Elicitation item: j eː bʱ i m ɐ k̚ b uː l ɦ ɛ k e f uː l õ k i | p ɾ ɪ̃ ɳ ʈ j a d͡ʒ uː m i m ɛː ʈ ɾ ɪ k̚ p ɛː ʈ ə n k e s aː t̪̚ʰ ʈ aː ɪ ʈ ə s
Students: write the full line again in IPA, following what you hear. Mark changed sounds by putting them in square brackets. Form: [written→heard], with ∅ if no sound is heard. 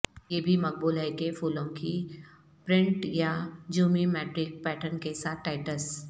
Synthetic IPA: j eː bʱ i m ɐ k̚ b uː l ɦ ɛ k e f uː l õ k i | p ɾ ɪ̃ ɳ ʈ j a d͡ʒ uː m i m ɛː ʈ ɾ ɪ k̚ p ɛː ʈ ə n k e s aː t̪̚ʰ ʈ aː ɪ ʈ ə s